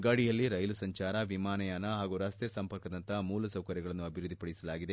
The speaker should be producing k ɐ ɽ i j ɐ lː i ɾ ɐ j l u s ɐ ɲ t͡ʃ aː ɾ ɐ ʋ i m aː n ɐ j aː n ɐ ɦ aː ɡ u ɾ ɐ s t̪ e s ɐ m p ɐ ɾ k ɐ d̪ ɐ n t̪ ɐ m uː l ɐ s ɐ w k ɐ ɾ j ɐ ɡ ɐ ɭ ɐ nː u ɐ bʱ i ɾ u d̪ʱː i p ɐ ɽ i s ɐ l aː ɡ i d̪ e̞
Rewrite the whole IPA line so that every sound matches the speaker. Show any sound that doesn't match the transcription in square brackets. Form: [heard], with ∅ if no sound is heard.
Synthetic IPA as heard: [ɡ] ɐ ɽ i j ɐ lː i ɾ ɐ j l u s ɐ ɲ t͡ʃ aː ɾ ɐ ʋ i m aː n ɐ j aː n ɐ ɦ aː ɡ u ɾ ɐ s t̪ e s ɐ m p ɐ ɾ k ɐ d̪ ɐ n t̪ ɐ m uː l ɐ s ɐ w k ɐ ɾ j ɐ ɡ ɐ ɭ ɐ nː u ɐ bʱ i ɾ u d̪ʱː i p ɐ ɽ i s ɐ l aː ɡ i d̪ e̞